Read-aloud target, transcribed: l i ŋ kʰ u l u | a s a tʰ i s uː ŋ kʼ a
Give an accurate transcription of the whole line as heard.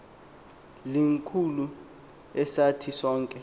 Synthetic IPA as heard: l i ŋ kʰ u l u | ɛ s a tʰ i s ɔː ŋ kʼ ɛ